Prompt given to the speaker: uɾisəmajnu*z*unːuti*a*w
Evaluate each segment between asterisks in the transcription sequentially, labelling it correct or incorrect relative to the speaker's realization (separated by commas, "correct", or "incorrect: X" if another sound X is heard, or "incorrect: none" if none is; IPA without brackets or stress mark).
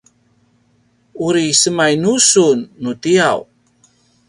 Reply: incorrect: s, correct